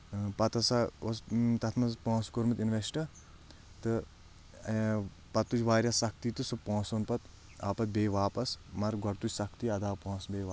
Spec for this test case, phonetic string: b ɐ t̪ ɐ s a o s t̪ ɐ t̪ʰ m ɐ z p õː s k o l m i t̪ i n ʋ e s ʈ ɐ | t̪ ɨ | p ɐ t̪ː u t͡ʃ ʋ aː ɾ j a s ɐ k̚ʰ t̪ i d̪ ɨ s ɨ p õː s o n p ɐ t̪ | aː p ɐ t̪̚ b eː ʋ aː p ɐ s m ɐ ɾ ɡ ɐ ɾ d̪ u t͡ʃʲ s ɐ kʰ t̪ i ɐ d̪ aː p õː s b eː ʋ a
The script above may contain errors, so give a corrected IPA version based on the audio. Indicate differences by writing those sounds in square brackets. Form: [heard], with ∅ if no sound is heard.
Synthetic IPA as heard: [p] ɐ t̪ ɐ s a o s t̪ ɐ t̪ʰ m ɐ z p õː s k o [ɾ] m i t̪ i n ʋ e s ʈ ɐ | t̪ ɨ | p ɐ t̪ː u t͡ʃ ʋ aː ɾ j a s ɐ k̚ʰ t̪ i [t̪] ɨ s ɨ p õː s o n p ɐ t̪ | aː p ɐ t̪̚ b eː ʋ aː p ɐ s m ɐ ɾ ɡ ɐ ɾ [t̪] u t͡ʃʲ s ɐ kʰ t̪ i ɐ d̪ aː p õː s b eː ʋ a

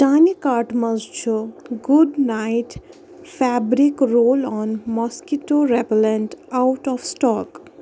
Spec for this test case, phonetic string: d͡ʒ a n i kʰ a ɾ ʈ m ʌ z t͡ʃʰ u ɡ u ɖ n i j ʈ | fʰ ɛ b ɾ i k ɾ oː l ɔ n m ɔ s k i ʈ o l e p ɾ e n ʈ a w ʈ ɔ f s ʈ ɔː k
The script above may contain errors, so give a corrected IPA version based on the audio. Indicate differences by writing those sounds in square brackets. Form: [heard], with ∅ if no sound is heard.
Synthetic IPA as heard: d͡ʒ a n i [k] a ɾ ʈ m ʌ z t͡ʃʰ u ɡ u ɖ n [a] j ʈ | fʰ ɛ b ɾ i k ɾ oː l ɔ n m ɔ s k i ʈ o [ɾ] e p [l] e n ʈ a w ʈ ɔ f s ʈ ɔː k

